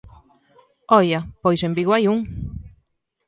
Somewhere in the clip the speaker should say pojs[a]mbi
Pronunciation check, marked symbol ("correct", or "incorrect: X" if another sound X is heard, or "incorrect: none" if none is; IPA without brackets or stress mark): incorrect: e